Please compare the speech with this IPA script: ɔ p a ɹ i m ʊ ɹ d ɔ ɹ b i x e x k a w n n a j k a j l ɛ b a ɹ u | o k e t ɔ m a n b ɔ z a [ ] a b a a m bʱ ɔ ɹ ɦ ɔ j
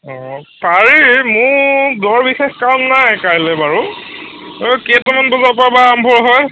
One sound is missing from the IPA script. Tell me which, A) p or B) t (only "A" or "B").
A